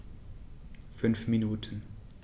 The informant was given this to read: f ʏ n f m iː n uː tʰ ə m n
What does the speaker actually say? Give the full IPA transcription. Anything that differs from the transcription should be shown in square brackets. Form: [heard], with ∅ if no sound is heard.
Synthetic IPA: f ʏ n f m [i] n uː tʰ ə [∅] n